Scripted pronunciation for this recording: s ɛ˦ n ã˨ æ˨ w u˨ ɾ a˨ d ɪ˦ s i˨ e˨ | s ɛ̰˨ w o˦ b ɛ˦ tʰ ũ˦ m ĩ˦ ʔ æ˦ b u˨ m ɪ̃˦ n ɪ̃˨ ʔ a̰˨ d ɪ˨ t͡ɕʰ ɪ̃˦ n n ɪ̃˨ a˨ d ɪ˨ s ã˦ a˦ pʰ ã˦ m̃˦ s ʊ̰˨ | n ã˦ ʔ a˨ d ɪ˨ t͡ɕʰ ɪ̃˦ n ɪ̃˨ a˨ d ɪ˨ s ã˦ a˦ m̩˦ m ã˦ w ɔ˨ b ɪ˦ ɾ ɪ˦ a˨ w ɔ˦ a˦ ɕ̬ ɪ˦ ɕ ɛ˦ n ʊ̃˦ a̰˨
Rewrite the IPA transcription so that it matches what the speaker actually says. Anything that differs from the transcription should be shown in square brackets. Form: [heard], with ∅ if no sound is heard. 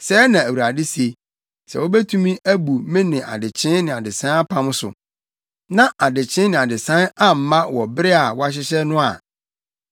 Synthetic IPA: s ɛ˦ n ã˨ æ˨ w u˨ ɾ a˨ d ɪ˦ s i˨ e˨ | s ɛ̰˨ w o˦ b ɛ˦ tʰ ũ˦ m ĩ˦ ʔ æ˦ b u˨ m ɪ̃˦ n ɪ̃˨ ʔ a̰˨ d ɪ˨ t͡ɕʰ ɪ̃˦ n n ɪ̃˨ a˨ d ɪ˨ s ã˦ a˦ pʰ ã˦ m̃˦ s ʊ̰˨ | n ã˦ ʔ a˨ d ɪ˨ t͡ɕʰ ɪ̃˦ n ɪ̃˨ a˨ d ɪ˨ s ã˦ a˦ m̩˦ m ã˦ w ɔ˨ b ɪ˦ ɾ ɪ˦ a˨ w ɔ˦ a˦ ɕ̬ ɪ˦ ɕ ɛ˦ n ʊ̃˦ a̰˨

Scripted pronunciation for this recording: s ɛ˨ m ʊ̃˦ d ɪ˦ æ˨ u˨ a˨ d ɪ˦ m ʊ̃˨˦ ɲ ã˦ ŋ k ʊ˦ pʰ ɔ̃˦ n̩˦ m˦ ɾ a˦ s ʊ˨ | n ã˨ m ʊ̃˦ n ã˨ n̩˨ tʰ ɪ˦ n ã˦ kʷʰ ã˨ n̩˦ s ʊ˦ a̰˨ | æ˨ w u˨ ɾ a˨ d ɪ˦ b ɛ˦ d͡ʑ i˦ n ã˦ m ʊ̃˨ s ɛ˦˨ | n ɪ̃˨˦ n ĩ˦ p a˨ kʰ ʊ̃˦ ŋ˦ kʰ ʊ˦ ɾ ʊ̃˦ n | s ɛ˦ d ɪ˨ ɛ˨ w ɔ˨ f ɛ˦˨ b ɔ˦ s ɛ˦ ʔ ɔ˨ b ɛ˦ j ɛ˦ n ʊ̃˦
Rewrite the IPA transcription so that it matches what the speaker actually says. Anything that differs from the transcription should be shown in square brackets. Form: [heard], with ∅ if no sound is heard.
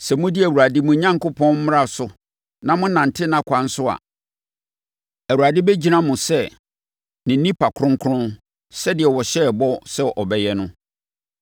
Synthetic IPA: s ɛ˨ m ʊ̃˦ d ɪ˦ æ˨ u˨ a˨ d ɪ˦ m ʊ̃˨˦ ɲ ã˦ ŋ k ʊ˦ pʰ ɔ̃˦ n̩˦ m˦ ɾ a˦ s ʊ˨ | n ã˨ m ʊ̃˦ n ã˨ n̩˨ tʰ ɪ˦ n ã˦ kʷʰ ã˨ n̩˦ s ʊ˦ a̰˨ | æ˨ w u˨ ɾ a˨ d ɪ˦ b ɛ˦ d͡ʑ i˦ n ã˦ m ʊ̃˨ s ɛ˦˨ | n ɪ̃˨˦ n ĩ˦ p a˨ kʰ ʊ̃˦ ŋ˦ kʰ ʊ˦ ɾ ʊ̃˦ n | s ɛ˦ d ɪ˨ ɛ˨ w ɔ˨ [ɕ] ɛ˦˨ b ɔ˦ s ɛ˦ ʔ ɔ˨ b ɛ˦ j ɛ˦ n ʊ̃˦

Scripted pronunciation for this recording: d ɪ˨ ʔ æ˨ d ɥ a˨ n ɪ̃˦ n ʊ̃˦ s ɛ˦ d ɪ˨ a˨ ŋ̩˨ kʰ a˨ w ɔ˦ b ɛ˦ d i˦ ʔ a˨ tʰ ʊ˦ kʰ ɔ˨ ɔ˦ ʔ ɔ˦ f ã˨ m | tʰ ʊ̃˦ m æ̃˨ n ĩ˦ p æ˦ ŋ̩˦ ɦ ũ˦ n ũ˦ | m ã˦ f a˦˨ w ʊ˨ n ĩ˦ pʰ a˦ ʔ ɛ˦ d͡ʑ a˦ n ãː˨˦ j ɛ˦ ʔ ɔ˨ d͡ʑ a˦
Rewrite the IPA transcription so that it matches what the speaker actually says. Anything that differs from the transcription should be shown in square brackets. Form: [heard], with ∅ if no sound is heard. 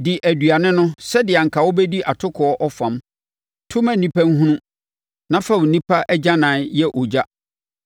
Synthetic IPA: d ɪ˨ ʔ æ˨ d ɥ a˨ n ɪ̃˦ n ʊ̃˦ s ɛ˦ d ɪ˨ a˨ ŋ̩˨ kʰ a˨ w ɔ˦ b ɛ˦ d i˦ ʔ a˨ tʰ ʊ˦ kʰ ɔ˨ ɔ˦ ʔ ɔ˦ f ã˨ m | tʰ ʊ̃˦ m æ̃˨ n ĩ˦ p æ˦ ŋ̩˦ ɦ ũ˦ n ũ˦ | [n] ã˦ f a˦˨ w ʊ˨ n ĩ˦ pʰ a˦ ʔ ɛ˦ d͡ʑ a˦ n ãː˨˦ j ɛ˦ ʔ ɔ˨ d͡ʑ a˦

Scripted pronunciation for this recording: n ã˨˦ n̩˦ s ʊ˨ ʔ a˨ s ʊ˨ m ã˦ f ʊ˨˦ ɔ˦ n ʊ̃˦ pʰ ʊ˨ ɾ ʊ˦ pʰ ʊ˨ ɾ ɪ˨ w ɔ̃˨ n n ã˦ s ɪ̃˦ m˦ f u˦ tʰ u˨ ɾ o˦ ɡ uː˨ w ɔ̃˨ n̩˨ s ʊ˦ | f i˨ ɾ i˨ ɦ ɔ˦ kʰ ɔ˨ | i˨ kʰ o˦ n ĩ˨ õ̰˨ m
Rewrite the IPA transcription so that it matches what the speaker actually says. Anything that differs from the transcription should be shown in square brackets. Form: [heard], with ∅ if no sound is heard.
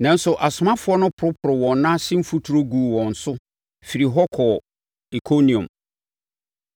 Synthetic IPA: n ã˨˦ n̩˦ s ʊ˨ ʔ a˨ s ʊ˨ m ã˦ f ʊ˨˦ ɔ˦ n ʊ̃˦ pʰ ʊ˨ ɾ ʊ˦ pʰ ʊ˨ ɾ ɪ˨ w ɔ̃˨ n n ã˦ s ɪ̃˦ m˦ f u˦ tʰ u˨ ɾ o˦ ɡ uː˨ w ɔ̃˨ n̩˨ s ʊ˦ | f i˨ ɾ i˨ ɦ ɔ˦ kʰ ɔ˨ | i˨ kʰ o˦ n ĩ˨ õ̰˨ m

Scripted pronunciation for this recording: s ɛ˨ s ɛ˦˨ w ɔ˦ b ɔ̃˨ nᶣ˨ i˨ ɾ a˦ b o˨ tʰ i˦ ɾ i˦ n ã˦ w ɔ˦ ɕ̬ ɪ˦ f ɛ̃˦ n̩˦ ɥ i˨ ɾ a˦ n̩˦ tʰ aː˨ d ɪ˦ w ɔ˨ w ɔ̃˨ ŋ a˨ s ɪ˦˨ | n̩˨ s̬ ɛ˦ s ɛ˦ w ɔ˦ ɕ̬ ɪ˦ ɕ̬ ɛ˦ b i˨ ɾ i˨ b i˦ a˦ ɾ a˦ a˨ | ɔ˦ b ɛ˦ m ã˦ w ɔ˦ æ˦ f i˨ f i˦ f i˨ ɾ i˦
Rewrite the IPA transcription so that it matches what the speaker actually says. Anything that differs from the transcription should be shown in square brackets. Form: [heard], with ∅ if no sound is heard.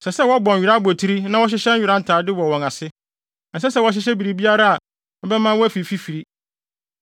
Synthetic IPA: s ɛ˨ s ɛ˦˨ w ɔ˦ b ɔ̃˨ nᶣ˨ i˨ ɾ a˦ b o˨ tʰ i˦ ɾ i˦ n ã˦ w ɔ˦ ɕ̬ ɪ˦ [ɕ] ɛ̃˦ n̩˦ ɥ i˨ ɾ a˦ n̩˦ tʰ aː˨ d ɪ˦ w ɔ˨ w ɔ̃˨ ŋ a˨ s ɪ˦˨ | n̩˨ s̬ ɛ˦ s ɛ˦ w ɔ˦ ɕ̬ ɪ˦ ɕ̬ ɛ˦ b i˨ ɾ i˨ b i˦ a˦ ɾ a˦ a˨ | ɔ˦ b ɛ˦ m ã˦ w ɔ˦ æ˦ f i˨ f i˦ f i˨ ɾ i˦

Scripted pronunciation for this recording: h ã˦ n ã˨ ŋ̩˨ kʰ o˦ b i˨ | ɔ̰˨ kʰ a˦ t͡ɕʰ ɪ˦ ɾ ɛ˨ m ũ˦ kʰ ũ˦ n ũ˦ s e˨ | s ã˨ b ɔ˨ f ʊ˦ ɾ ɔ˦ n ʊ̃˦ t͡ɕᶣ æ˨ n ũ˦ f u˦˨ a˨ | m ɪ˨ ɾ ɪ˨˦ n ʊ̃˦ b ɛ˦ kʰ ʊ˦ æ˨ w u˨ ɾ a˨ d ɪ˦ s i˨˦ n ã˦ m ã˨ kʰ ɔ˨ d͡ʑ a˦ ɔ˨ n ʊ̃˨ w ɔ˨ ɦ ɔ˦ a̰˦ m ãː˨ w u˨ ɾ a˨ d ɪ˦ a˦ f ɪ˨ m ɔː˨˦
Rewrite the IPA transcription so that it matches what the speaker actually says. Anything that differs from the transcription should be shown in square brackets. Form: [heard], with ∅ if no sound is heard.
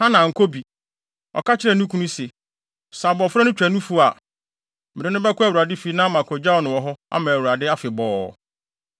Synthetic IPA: h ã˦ n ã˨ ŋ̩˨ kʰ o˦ b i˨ | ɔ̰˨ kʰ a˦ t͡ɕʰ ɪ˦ ɾ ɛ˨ [n] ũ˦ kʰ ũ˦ n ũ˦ s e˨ | s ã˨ b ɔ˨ f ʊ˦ ɾ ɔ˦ n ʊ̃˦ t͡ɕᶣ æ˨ n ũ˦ f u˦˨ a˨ | m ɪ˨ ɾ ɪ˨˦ n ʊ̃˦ b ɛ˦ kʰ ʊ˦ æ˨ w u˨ ɾ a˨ d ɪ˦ [f] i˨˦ n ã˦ m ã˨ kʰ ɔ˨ d͡ʑ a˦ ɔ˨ n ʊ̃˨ w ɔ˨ ɦ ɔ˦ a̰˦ m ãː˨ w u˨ ɾ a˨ d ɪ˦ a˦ f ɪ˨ [b] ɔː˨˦

